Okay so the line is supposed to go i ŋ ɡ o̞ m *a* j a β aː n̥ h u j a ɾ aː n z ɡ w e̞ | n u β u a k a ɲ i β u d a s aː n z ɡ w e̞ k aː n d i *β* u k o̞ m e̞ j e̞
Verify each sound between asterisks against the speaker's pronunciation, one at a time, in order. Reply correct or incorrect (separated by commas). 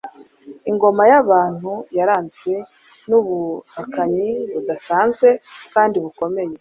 correct, correct